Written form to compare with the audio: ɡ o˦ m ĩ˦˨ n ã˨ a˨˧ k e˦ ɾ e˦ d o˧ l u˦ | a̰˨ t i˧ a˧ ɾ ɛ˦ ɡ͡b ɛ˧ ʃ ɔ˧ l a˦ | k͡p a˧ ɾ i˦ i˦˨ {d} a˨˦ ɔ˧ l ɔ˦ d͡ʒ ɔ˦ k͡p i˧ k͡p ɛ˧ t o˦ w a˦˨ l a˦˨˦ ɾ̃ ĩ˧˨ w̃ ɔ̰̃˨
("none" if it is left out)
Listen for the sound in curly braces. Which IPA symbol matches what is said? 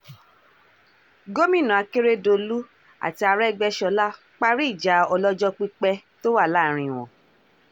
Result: d͡ʒ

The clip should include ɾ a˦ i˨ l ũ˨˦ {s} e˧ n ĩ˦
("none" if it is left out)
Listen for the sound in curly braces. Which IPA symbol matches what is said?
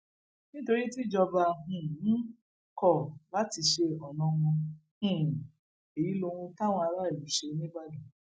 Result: ʃ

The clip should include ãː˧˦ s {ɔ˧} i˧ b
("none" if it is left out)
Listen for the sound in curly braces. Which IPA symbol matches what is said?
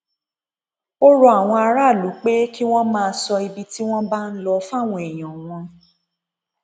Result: ɔ˧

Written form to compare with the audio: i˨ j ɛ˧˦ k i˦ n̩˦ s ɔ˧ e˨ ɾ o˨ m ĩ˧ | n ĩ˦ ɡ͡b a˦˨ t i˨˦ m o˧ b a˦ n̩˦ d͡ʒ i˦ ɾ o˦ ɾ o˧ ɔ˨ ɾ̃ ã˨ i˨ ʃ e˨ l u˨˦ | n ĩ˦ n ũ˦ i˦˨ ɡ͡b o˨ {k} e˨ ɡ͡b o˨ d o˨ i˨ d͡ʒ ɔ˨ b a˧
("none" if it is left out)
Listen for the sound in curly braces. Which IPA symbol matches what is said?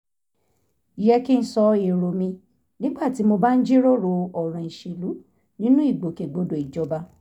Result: k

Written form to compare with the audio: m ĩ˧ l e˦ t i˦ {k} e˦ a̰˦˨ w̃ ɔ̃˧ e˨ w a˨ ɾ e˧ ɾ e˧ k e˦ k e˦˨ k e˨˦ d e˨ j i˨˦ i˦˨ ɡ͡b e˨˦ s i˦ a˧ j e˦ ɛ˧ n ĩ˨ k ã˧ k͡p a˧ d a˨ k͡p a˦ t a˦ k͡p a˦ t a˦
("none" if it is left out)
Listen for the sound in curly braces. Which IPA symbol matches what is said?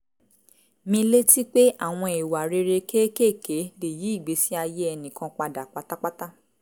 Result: k͡p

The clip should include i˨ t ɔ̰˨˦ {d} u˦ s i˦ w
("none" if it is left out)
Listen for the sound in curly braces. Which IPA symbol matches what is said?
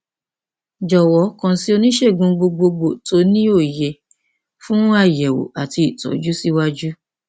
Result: d͡ʒ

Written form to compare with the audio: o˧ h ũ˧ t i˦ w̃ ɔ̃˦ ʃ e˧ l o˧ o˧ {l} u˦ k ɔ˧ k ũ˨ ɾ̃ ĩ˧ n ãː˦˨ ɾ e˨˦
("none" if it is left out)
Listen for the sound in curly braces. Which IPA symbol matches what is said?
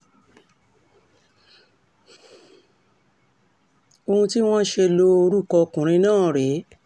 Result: ɾ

